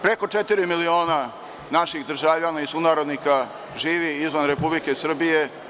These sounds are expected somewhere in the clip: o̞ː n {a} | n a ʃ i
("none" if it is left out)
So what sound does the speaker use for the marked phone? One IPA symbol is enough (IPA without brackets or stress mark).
a